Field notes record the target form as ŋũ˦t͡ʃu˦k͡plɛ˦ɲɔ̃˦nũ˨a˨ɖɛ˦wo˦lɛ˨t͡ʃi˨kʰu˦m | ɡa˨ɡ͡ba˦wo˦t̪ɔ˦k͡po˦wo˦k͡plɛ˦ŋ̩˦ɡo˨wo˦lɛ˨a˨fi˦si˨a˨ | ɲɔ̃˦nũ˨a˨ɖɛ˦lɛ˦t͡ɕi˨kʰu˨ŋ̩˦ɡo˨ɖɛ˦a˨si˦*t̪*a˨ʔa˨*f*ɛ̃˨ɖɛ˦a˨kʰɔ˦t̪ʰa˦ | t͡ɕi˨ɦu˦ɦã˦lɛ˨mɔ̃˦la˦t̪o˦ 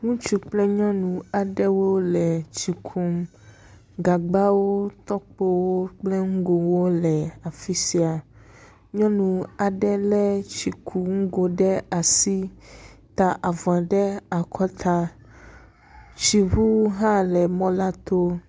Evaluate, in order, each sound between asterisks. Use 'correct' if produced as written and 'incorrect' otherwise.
correct, incorrect: v

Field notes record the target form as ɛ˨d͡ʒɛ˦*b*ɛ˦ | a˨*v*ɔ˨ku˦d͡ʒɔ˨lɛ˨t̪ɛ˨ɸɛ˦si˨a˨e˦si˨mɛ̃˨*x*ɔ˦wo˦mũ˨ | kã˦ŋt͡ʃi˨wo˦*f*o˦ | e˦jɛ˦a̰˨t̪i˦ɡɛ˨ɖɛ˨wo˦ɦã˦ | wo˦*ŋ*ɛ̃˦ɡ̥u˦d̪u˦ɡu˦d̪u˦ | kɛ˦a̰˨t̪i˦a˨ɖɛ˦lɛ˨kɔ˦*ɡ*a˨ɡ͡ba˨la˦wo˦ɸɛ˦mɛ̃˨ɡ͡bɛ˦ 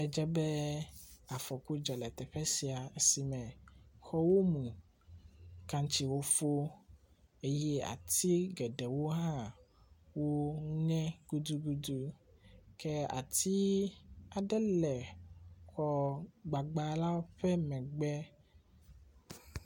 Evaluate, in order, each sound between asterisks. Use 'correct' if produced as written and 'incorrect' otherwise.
correct, incorrect: f, correct, correct, correct, incorrect: ɡ͡b

